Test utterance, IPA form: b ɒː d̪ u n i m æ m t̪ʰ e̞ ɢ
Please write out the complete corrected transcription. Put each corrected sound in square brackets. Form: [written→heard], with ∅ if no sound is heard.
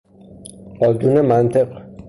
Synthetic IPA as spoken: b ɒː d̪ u n [i→e] m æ [m→n] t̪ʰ e̞ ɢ